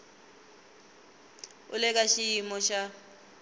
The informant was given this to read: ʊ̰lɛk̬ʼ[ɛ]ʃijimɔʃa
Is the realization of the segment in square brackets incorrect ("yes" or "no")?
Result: yes